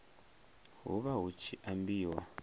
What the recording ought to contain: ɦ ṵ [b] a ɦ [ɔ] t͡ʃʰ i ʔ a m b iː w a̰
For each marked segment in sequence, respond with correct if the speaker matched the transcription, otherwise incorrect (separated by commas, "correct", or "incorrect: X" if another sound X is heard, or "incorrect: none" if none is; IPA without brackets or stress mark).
incorrect: β, incorrect: u